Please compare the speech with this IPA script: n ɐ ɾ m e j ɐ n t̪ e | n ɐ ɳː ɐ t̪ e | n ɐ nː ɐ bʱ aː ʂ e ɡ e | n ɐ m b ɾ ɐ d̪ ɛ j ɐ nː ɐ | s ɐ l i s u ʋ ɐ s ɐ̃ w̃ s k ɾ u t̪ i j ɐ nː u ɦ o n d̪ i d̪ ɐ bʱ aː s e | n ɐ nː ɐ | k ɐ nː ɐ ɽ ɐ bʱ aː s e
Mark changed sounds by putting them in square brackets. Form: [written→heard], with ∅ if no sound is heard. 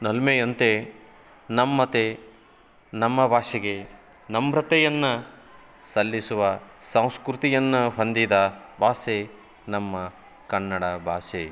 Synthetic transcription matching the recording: n ɐ [ɾ→l] m e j ɐ n t̪ e | n ɐ [ɳː→mː] ɐ t̪ e | n ɐ [nː→mː] ɐ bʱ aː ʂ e ɡ e | n ɐ m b ɾ ɐ [d̪→t̪] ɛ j ɐ nː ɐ | s ɐ [l→lː] i s u ʋ ɐ s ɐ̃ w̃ s k ɾ u t̪ i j ɐ nː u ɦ o n d̪ i d̪ ɐ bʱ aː s e | n ɐ [nː→mː] ɐ | k ɐ nː ɐ ɽ ɐ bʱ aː s e

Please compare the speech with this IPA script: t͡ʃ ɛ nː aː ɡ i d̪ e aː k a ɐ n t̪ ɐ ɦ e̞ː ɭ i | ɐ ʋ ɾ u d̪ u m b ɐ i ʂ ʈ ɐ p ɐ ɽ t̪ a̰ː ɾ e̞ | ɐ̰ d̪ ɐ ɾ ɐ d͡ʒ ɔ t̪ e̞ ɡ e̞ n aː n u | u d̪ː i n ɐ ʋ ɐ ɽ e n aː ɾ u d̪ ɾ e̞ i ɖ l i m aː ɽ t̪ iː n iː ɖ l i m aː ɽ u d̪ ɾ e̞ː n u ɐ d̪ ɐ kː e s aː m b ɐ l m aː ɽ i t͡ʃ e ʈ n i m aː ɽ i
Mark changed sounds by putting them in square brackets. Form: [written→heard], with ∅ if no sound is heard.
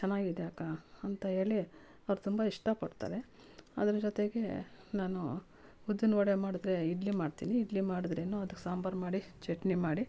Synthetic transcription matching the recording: t͡ʃ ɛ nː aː ɡ i d̪ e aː k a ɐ n t̪ ɐ ɦ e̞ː ɭ i | ɐ ʋ ɾ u [d̪→t̪] u m b ɐ i ʂ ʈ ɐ p ɐ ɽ t̪ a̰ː ɾ e̞ | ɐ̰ d̪ ɐ ɾ ɐ d͡ʒ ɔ t̪ e̞ ɡ e̞ n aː n u | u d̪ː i n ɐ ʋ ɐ ɽ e [n→m] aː [ɾ→ɽ] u d̪ ɾ e̞ i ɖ l i m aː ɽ t̪ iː n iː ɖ l i m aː ɽ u d̪ ɾ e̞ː n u ɐ d̪ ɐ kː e s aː m b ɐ [l→ɾ] m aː ɽ i t͡ʃ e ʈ n i m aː ɽ i

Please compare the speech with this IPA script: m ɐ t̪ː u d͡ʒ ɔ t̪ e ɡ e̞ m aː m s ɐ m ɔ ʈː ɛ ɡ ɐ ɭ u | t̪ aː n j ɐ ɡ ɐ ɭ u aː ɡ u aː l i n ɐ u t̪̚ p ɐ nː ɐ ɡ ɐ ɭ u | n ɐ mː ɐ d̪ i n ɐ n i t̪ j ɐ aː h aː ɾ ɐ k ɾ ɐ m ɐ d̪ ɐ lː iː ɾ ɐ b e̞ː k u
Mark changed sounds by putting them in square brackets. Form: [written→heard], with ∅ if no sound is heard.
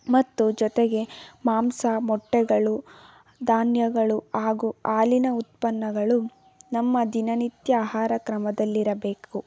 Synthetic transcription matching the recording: m ɐ t̪ː u d͡ʒ ɔ t̪ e ɡ e̞ m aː m s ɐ m ɔ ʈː ɛ ɡ ɐ ɭ u | [t̪→d̪] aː n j ɐ ɡ ɐ ɭ u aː ɡ u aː l i n ɐ u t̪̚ p ɐ nː ɐ ɡ ɐ ɭ u | n ɐ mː ɐ d̪ i n ɐ n i t̪ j ɐ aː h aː ɾ ɐ k ɾ ɐ m ɐ d̪ ɐ lː [iː→i] ɾ ɐ b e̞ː k u

